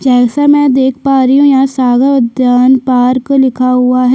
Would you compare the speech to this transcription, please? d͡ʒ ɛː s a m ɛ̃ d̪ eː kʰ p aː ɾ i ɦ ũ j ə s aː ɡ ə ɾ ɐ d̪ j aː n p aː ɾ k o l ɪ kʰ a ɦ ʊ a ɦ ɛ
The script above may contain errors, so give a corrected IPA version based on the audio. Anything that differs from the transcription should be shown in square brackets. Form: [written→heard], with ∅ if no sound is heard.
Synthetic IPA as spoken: d͡ʒ ɛː s a m ɛ̃ d̪ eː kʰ p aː ɾ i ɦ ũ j [ə→a] s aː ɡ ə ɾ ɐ d̪ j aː n p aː ɾ k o l ɪ kʰ a ɦ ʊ a ɦ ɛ